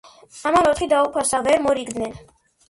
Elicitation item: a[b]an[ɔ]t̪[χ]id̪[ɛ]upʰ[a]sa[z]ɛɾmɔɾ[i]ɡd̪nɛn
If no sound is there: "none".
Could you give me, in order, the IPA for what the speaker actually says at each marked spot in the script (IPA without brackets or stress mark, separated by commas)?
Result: m, ɔ, χ, a, a, v, i